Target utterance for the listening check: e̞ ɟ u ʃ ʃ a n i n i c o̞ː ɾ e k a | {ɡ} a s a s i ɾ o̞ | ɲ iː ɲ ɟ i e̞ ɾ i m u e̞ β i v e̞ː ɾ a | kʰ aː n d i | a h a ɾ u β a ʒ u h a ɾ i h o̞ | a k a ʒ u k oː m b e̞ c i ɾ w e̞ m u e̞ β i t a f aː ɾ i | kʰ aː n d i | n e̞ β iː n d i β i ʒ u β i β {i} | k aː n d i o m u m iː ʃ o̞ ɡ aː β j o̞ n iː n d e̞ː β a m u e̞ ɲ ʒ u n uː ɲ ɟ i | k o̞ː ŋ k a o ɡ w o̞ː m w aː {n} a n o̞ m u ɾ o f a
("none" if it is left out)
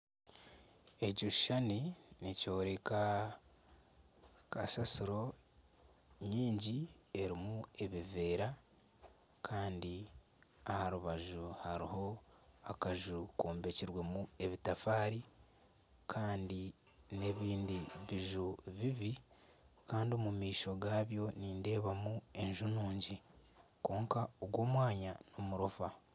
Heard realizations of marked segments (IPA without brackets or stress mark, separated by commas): k, i, ɲ